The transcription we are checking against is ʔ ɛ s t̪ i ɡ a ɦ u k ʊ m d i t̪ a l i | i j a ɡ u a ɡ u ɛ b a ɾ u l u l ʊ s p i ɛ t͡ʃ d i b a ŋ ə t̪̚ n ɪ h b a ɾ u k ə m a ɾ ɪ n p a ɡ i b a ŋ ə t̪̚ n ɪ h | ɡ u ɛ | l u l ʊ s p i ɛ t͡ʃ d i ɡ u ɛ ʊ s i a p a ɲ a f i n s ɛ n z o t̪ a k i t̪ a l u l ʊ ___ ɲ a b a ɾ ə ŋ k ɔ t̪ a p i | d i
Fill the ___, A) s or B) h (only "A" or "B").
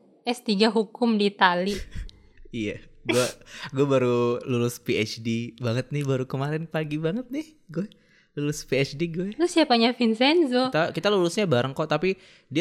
A